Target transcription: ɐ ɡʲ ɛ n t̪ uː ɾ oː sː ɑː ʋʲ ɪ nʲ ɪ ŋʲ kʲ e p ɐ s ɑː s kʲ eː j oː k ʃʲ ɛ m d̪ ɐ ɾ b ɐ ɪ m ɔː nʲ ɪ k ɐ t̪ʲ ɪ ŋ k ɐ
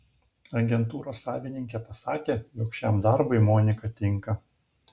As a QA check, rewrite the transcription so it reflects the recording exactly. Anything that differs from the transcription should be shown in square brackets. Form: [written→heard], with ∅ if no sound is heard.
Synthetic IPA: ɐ ɡʲ ɛ n t̪ uː ɾ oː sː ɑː ʋʲ ɪ nʲ ɪ ŋʲ kʲ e p ɐ s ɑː [s→∅] kʲ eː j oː k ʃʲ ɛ m d̪ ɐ ɾ b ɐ ɪ m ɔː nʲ ɪ k ɐ t̪ʲ ɪ ŋ k ɐ